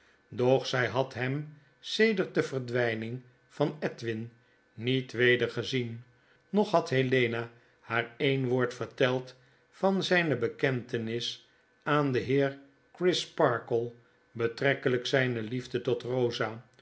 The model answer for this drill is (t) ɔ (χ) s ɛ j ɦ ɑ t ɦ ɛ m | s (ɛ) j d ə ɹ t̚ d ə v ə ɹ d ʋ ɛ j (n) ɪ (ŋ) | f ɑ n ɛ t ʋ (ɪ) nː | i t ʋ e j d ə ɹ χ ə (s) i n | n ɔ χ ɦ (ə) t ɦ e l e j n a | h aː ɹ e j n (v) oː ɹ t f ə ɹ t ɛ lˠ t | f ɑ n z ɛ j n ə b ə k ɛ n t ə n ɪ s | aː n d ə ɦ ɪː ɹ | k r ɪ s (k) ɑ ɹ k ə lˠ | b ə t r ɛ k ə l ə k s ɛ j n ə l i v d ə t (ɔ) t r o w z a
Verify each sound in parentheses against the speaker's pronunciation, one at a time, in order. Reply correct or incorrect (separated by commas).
incorrect, correct, incorrect, correct, correct, correct, incorrect, incorrect, incorrect, incorrect, correct